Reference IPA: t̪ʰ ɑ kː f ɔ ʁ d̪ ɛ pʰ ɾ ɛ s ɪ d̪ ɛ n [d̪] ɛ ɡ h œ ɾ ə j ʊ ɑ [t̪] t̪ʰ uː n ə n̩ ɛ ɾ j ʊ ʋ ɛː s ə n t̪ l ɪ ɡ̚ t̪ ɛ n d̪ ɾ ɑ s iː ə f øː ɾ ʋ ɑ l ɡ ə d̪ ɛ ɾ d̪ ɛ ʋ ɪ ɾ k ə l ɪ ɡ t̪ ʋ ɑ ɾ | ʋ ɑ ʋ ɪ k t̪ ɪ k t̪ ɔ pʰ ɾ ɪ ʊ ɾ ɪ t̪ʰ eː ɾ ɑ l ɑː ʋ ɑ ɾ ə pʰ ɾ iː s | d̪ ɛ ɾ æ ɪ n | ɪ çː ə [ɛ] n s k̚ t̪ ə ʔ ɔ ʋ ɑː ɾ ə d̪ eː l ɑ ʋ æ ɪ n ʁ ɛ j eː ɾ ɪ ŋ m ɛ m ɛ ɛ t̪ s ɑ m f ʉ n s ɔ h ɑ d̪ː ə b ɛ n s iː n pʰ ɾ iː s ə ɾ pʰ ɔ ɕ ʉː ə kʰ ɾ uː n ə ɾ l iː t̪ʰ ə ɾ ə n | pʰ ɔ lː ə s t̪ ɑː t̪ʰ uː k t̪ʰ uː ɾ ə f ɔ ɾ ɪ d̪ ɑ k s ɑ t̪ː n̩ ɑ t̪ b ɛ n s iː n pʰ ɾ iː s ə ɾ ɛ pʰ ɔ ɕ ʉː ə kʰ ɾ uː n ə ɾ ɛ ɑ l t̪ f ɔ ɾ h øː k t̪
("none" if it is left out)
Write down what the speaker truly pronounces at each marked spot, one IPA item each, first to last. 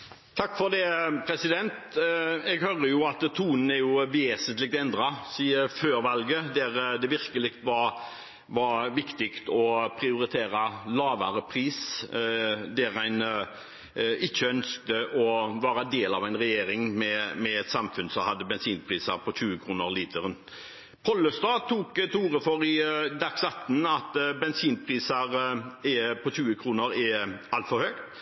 t̪, t̪, œ

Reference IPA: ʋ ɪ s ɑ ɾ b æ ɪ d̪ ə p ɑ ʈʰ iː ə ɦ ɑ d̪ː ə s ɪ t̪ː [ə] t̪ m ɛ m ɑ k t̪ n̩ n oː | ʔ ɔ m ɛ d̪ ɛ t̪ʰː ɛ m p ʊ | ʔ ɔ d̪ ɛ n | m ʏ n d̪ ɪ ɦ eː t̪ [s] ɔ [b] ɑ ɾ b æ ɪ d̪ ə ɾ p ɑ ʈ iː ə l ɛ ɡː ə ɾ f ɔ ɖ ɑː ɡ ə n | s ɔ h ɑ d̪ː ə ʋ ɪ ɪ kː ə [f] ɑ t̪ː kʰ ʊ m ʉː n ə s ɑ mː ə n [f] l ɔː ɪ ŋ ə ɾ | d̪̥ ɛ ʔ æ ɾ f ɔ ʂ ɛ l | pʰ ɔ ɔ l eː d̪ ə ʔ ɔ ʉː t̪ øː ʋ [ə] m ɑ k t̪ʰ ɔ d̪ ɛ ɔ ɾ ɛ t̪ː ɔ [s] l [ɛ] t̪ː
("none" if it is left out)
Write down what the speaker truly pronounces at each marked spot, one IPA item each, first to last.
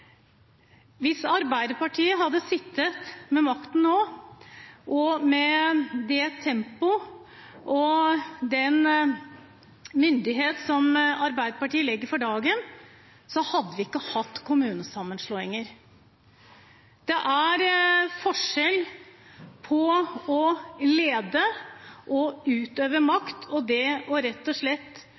ə, s, m, h, ʂ, ə, ʂ, ɛ

